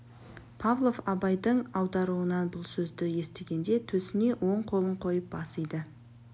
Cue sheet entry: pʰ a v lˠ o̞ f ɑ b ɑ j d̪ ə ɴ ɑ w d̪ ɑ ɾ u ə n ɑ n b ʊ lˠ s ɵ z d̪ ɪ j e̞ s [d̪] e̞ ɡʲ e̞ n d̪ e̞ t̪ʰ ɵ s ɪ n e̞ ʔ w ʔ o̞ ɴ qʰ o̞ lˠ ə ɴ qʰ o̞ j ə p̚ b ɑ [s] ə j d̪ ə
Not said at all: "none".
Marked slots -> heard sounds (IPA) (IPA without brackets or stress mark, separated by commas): t̪, s